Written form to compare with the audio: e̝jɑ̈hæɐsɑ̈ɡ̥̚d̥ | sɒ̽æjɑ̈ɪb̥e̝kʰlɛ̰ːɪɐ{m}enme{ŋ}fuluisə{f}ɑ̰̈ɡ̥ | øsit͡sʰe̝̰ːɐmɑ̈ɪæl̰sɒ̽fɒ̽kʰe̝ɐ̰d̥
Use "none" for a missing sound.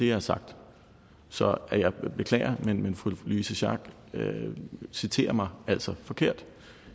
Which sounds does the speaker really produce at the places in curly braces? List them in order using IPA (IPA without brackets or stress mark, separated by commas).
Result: m, n, ɕ